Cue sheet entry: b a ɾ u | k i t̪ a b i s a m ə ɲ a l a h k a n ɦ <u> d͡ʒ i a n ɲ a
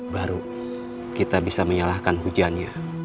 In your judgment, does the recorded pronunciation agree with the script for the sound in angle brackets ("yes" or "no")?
yes